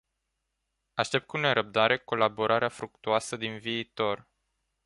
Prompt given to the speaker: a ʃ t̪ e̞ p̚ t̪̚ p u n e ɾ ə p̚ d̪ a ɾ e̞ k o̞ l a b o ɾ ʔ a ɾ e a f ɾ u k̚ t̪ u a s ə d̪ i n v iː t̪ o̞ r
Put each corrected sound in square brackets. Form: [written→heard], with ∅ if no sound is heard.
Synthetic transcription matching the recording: a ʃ t̪ e̞ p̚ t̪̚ [p→k] u n e ɾ ə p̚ d̪ a ɾ e̞ k o̞ l a b o ɾ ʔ a ɾ e a f ɾ u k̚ t̪ u a s ə d̪ i n v iː t̪ o̞ r